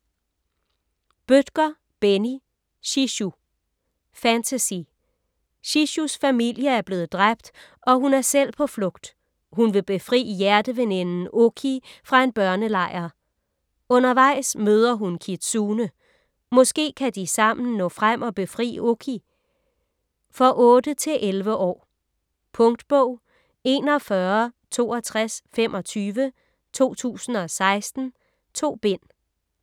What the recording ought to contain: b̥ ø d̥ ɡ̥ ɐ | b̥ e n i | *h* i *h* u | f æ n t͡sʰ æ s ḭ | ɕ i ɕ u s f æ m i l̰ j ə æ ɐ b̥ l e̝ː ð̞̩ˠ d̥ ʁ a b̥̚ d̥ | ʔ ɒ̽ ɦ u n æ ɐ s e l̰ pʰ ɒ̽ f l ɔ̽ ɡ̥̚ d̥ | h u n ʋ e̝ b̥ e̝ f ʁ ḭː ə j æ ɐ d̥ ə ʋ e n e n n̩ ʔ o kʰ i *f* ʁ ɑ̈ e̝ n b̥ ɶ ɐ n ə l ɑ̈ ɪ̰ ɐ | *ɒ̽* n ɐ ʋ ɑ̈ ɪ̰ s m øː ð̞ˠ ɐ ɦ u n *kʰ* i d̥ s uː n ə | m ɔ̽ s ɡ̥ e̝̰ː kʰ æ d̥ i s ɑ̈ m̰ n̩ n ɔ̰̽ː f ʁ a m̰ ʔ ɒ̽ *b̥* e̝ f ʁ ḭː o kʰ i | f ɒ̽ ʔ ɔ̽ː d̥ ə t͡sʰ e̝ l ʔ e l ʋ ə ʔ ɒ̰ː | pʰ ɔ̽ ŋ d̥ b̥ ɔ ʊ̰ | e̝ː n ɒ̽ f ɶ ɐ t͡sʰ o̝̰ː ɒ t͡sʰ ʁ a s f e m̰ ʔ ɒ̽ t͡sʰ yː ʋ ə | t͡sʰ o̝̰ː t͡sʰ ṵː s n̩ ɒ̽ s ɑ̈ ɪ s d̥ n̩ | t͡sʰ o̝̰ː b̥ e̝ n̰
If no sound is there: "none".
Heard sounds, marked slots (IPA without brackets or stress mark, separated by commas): ɕ, ɕ, f, ɔ̽, kʰ, b̥